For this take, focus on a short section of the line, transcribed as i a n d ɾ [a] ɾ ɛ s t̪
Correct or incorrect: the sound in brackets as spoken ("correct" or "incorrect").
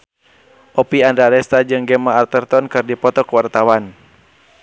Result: correct